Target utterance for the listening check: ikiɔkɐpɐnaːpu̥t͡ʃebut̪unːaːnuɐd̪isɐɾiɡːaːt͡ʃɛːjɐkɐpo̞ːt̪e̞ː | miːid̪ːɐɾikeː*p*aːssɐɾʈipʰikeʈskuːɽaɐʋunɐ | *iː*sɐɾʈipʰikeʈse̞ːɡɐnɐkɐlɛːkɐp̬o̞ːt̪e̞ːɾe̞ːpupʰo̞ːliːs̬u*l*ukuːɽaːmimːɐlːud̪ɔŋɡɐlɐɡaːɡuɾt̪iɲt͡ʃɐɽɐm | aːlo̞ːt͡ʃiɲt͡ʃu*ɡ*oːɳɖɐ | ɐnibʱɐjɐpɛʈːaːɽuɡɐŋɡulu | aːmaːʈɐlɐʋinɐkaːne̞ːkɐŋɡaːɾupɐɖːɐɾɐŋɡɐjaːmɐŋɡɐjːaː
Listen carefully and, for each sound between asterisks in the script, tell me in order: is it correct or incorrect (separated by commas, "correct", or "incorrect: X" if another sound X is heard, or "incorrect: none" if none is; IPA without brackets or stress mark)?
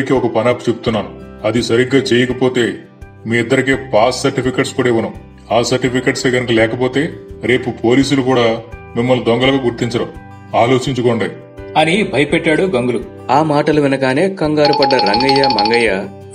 correct, incorrect: aː, correct, incorrect: k